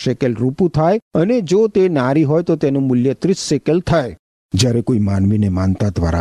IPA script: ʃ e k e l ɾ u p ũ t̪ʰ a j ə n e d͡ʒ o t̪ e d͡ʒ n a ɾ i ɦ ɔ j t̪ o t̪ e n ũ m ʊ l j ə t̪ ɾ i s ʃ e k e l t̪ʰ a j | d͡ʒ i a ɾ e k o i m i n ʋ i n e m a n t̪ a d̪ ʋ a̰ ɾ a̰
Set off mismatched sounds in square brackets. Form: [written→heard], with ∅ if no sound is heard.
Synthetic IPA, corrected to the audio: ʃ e k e l ɾ u p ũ t̪ʰ a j ə n e d͡ʒ o t̪ e [d͡ʒ→∅] n a ɾ i ɦ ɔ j t̪ o t̪ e n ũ m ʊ l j ə t̪ ɾ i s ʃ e k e l t̪ʰ a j | d͡ʒ [i→j] a ɾ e k o i m [i→a] n ʋ i n e m a n t̪ a d̪ ʋ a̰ ɾ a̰